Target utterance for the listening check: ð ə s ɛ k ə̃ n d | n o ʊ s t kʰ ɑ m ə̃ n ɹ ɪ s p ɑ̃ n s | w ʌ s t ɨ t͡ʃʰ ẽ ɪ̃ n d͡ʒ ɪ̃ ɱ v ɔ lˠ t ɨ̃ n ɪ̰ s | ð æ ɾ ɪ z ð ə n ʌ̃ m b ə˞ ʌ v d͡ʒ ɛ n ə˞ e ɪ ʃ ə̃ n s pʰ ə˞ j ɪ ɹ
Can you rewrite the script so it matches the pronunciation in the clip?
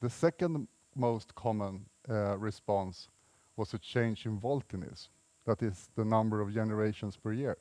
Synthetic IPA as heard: ð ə s ɛ k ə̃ n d | m o ʊ s t kʰ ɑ m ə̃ n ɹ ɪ s p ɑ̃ n s | w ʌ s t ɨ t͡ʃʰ ẽ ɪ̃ n d͡ʒ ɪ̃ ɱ v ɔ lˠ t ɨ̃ n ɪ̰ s | ð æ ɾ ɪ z ð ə n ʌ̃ m b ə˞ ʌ v d͡ʒ ɛ n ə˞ e ɪ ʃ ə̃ n s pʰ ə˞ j ɪ ɹ